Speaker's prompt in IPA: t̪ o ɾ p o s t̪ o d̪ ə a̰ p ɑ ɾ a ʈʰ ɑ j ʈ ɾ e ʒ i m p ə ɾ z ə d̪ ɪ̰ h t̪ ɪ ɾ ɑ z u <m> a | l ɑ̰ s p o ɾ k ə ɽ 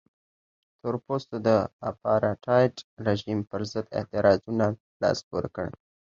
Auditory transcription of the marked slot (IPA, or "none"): n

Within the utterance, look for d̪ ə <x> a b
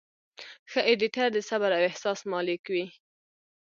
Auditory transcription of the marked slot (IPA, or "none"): s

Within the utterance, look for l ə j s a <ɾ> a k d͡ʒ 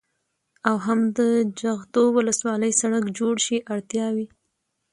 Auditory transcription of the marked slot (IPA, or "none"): ɽ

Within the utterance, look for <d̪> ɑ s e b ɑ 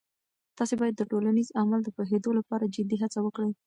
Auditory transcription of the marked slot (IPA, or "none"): t̪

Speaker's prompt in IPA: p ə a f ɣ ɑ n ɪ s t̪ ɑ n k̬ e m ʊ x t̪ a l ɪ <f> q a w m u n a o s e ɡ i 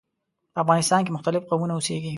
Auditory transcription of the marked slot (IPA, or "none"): f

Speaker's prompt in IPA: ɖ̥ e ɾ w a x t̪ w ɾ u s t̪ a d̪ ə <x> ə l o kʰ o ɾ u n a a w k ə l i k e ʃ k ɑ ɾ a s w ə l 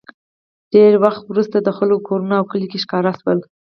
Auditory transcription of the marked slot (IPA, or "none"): x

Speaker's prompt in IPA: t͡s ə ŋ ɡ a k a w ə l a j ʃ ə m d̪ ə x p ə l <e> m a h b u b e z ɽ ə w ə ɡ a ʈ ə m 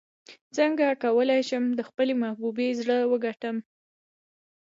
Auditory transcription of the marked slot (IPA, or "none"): e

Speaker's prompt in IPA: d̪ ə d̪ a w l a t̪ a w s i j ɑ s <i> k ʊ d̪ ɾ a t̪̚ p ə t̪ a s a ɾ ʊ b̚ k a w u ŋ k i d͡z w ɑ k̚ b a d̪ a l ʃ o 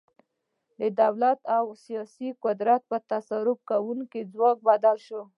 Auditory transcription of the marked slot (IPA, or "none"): i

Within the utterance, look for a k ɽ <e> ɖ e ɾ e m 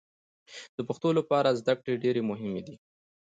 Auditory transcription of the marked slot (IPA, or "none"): e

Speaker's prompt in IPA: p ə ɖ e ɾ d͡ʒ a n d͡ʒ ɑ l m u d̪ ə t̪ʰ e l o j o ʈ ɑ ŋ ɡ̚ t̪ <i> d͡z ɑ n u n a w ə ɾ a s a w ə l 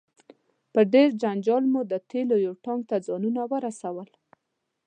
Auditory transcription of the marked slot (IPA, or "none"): a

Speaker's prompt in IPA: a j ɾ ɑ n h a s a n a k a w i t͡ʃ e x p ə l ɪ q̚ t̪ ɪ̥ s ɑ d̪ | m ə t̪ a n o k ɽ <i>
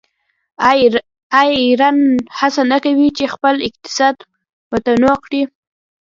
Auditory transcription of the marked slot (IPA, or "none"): i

